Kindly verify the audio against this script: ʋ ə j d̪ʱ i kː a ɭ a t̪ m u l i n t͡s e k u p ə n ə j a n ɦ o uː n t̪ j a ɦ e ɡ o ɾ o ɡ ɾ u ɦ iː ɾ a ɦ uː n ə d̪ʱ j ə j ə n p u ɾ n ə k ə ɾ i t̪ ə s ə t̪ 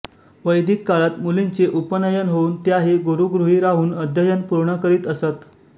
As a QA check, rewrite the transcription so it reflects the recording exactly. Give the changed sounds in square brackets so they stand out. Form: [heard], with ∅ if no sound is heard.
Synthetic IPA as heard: ʋ ə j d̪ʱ i kː a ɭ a t̪ m u l i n t͡s e [ʔ] u p ə n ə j [ə] n ɦ o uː n t̪ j a ɦ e ɡ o ɾ [u] ɡ ɾ u ɦ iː ɾ a ɦ uː n ə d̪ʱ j ə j ə n p u ɾ [ɳ] ə k ə ɾ [iː] t̪ ə s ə t̪